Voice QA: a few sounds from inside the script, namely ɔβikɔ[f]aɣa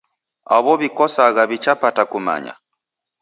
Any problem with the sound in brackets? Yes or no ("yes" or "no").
yes